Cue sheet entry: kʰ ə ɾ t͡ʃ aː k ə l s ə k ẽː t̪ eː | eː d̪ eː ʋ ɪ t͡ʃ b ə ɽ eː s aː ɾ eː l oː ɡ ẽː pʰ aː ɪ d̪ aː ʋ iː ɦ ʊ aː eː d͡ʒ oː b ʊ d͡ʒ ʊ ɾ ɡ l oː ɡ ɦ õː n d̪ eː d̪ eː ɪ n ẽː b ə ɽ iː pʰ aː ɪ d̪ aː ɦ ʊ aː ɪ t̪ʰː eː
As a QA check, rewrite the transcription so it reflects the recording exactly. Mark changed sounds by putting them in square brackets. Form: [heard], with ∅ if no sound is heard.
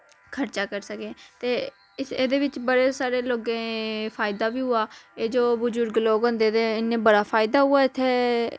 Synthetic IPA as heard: kʰ ə ɾ t͡ʃ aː k ə [ɾ] s ə k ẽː t̪ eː | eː d̪ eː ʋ ɪ t͡ʃ b ə ɽ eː s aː ɾ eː l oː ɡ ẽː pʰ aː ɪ d̪ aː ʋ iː ɦ ʊ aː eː d͡ʒ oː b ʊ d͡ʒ ʊ ɾ ɡ l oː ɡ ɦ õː n d̪ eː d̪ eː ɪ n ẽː b ə ɽ [aː] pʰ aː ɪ d̪ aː ɦ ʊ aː ɪ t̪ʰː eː